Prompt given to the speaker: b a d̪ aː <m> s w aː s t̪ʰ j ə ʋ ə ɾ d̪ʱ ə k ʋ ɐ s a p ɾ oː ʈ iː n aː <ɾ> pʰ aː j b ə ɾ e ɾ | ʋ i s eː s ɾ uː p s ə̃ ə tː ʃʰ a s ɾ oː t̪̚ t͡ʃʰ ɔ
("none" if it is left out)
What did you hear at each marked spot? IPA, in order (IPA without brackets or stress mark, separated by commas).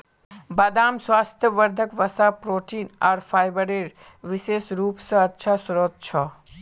m, ɾ